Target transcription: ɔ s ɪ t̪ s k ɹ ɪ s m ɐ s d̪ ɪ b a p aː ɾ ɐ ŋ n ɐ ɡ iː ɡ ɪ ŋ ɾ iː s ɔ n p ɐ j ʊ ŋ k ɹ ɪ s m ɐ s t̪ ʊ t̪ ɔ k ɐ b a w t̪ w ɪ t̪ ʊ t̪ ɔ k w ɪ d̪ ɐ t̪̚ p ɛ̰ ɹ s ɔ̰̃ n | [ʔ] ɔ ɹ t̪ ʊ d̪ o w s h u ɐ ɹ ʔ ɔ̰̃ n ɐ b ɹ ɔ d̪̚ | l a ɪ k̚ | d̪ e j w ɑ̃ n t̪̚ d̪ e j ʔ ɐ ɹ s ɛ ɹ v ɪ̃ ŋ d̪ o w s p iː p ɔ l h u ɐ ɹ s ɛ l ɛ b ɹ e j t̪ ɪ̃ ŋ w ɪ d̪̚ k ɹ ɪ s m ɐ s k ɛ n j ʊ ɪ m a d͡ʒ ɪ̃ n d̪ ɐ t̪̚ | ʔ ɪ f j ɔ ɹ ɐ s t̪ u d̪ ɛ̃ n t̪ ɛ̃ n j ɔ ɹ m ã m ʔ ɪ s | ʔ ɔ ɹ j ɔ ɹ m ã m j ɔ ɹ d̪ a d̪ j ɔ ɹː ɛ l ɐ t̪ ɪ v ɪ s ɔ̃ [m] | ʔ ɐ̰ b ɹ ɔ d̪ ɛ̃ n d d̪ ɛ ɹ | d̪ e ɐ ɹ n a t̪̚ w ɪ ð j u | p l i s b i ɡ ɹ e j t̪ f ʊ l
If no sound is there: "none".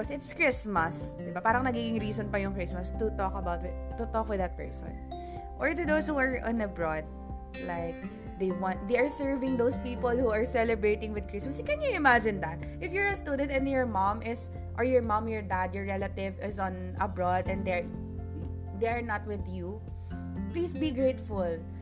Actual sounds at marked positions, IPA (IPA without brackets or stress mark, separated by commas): ʔ, n